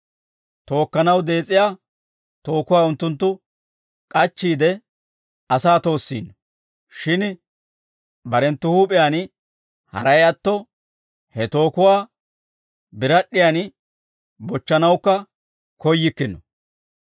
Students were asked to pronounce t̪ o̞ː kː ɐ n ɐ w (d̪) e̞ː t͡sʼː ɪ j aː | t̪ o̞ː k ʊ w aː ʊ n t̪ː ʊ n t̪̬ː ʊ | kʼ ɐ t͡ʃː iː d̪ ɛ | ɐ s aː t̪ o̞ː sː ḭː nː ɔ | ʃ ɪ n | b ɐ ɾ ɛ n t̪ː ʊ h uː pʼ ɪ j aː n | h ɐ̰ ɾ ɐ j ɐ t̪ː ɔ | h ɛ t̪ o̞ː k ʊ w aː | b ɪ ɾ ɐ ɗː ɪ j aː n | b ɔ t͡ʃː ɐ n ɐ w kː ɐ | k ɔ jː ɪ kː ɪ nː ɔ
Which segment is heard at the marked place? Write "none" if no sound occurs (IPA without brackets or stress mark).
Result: d̪